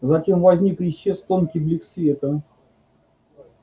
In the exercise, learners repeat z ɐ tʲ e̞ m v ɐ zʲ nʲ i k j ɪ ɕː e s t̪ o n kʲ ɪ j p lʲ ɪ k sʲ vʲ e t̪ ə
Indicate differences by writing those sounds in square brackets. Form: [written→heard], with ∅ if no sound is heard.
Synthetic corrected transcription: z ɐ tʲ e̞ m v ɐ zʲ nʲ i k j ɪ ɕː e s t̪ o n kʲ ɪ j [p→b] lʲ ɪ k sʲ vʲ e t̪ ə

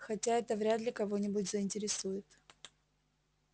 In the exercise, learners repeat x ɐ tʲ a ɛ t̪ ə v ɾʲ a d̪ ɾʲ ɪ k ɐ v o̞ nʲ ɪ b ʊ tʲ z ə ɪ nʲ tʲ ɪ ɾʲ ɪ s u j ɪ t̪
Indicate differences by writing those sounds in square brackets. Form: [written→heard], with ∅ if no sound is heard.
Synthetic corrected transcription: x ɐ tʲ a ɛ t̪ ə v ɾʲ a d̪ [ɾʲ→lʲ] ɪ k ɐ v o̞ nʲ ɪ b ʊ tʲ z ə ɪ nʲ tʲ ɪ ɾʲ ɪ s u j ɪ t̪

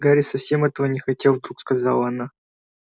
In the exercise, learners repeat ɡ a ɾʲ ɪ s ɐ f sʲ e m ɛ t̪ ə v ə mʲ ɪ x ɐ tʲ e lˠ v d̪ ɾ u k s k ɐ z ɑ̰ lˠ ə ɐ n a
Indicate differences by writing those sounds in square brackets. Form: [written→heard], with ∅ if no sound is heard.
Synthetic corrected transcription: ɡ a ɾʲ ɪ s ɐ f sʲ e m ɛ t̪ ə v ə [mʲ→nʲ] ɪ x ɐ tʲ e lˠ v d̪ ɾ u k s k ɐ z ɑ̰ lˠ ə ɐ n a

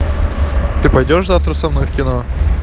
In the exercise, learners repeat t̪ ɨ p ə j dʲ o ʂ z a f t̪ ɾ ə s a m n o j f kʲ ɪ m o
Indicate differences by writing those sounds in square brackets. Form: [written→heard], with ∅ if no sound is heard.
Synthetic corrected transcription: t̪ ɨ p [ə→ɐ] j dʲ o ʂ z a f t̪ ɾ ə s [a→ɐ] m n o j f kʲ ɪ [m→n] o

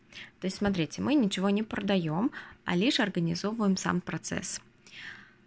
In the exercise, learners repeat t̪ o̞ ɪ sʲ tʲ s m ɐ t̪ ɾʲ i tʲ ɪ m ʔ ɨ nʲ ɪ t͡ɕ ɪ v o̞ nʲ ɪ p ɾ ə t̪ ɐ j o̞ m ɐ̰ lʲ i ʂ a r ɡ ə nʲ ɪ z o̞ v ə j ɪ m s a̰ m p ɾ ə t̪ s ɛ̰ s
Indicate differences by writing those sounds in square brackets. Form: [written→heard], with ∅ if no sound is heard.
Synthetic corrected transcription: t̪ o̞ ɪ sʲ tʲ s m ɐ t̪ ɾʲ i tʲ ɪ m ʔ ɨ nʲ ɪ t͡ɕ ɪ v o̞ nʲ ɪ p ɾ ə [t̪→d̪] ɐ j o̞ m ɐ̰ lʲ i ʂ [a→ɐ] r ɡ ə nʲ ɪ z o̞ v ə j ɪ m s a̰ m p ɾ [ə→ɐ] t̪ s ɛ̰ s

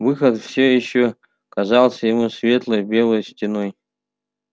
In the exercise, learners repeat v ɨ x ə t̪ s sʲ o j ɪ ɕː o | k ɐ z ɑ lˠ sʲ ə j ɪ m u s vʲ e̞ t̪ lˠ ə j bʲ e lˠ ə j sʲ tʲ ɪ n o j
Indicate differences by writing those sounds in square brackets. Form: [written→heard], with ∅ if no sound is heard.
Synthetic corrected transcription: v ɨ x ə t̪ [s→f] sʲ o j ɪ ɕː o | k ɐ z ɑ lˠ sʲ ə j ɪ m u s vʲ e̞ t̪ lˠ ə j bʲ e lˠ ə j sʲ tʲ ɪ n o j

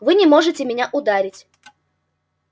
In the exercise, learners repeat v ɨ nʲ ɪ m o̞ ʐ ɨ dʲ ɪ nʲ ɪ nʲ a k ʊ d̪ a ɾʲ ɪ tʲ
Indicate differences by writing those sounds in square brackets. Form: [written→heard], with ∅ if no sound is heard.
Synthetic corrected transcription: v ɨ nʲ ɪ m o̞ ʐ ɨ [dʲ→tʲ] ɪ [nʲ→mʲ] ɪ nʲ a [k→ʔ] ʊ d̪ a ɾʲ ɪ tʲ

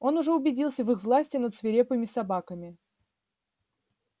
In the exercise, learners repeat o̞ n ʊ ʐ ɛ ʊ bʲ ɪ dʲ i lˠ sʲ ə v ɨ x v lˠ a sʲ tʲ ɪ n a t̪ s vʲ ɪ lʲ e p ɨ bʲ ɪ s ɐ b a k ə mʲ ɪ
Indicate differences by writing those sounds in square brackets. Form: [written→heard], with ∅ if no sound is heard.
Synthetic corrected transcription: o̞ n ʊ ʐ ɛ ʊ bʲ ɪ dʲ i lˠ sʲ ə v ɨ x v lˠ a sʲ tʲ ɪ n [a→ə] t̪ s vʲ ɪ [lʲ→ɾʲ] e p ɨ [bʲ→mʲ] ɪ s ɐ b a k ə mʲ ɪ

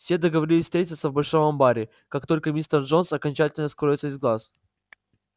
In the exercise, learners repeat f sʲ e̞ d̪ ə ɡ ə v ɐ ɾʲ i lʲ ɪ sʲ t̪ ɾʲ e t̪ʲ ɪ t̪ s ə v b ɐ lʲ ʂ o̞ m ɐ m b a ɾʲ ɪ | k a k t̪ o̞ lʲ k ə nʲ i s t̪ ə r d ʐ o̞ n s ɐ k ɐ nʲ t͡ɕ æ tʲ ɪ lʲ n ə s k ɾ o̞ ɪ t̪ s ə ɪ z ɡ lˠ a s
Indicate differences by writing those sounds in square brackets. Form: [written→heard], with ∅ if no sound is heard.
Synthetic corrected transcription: f sʲ e̞ d̪ ə ɡ ə v ɐ ɾʲ i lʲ ɪ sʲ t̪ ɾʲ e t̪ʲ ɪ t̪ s ə v b ɐ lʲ ʂ o̞ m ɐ m b a ɾʲ ɪ | k a k t̪ o̞ lʲ k ə [nʲ→mʲ] i s t̪ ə r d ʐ o̞ n s ɐ k ɐ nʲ t͡ɕ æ tʲ ɪ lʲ n ə s k ɾ o̞ ɪ t̪ s ə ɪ z ɡ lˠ a s

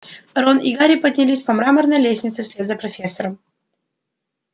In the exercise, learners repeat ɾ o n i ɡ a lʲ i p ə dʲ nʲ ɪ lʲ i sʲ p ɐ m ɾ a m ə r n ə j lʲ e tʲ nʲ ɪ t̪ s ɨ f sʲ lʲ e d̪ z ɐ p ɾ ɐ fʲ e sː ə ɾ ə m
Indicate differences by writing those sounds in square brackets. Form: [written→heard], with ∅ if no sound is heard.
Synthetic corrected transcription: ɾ o n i ɡ a [lʲ→ɾʲ] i p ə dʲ nʲ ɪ lʲ i sʲ p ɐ m ɾ a m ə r n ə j lʲ e [tʲ→sʲ] nʲ ɪ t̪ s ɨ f sʲ lʲ e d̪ z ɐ p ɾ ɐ fʲ e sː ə ɾ ə m

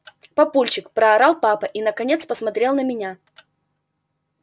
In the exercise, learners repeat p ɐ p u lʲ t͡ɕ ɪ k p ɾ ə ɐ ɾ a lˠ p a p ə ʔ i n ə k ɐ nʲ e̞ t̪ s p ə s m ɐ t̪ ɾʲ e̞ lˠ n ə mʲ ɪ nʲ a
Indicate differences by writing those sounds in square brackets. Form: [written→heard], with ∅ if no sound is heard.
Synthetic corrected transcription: p ɐ p u lʲ t͡ɕ ɪ k p ɾ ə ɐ ɾ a lˠ p a p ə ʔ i n ə k ɐ nʲ e̞ t̪ s p ə s m ɐ t̪ ɾʲ e̞ lˠ n ə mʲ ɪ nʲ a

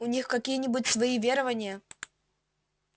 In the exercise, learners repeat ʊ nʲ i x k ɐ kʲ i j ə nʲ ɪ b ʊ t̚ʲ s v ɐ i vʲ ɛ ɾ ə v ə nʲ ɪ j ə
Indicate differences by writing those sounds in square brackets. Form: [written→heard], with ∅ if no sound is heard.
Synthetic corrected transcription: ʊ nʲ i x k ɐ kʲ i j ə nʲ ɪ b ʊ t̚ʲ s v ɐ i vʲ [ɛ→e] ɾ ə v ə nʲ ɪ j ə

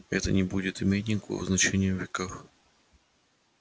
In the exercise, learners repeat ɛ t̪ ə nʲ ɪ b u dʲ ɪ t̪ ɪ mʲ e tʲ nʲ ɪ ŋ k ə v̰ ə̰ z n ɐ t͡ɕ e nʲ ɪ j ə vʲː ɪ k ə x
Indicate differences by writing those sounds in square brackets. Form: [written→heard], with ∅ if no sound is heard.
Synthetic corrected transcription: ɛ t̪ ə nʲ ɪ b u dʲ ɪ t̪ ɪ mʲ e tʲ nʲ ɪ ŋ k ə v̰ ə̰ z n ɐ t͡ɕ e nʲ ɪ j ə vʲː ɪ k [ə→a] x

